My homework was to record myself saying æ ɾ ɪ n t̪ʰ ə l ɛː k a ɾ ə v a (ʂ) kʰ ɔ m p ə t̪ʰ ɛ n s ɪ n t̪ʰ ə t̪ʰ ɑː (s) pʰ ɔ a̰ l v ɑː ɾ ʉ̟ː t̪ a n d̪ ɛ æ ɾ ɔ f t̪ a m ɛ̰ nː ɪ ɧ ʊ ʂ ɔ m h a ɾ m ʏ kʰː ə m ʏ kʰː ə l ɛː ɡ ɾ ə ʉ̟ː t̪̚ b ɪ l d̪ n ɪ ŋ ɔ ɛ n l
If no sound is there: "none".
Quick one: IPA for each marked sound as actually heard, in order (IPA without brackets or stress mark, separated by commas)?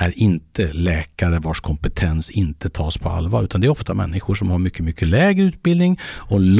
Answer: ʂ, s